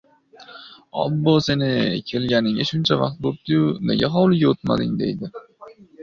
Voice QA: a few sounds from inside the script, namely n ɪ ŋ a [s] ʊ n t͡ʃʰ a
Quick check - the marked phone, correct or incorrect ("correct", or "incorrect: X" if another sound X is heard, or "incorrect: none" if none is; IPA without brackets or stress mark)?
incorrect: ʃ